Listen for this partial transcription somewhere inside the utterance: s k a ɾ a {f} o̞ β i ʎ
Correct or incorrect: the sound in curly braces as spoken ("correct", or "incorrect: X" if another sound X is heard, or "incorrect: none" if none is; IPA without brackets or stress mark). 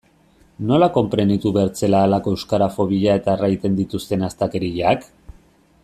correct